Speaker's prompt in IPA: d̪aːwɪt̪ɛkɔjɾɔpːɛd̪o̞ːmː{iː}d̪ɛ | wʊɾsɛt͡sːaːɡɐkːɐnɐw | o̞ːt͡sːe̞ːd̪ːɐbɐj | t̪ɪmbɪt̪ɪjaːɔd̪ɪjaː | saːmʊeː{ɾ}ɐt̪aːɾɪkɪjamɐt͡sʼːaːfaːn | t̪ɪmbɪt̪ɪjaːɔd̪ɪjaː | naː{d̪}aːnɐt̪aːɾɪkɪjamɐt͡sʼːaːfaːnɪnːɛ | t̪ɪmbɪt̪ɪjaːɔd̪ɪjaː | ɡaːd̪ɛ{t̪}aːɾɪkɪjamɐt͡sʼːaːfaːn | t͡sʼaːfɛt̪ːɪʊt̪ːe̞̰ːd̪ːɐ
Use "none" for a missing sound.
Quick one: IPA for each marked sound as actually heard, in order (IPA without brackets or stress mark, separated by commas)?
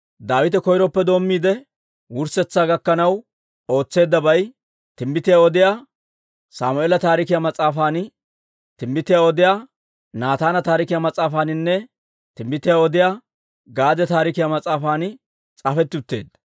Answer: iː, l, t̪, t̪